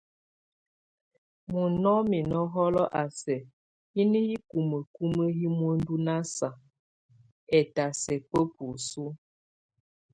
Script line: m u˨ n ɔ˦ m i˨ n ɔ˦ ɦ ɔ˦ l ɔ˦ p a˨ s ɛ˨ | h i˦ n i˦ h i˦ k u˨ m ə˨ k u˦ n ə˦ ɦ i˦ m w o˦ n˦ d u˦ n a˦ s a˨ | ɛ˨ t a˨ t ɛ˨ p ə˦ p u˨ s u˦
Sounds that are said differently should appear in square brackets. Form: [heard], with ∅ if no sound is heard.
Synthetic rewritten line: m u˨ n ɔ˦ m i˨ n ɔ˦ ɦ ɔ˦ l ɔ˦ [ʔ] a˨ s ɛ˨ | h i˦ n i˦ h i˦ k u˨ m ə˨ k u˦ [m] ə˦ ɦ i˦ m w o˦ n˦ d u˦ n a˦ s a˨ | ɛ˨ t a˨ [s] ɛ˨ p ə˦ p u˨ s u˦